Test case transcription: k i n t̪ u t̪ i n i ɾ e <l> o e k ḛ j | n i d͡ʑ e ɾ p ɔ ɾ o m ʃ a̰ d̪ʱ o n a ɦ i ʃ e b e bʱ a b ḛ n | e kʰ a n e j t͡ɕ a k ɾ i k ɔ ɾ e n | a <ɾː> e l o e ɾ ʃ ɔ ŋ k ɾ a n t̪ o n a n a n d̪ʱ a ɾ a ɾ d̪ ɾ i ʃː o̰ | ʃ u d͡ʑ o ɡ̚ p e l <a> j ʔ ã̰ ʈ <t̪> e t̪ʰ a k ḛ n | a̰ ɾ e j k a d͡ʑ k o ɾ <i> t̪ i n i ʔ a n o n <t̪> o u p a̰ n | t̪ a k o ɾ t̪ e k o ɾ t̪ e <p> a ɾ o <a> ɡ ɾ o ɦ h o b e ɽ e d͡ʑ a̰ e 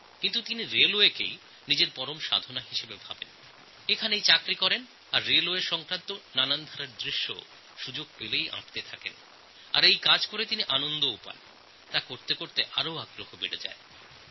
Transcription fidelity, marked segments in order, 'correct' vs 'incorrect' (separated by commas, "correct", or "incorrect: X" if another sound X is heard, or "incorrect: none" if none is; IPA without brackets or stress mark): correct, correct, incorrect: e, correct, incorrect: e, incorrect: d̪, incorrect: ʔ, correct